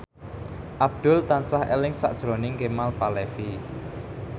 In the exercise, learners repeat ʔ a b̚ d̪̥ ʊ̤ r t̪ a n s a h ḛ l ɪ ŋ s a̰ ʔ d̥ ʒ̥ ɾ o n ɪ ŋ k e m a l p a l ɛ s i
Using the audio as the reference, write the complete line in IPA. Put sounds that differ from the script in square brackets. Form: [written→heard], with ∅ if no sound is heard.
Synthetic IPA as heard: ʔ a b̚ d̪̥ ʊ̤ [r→l] t̪ a n s a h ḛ l ɪ ŋ s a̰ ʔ d̥ ʒ̥ ɾ o n ɪ ŋ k e m a l p a l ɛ [s→f] i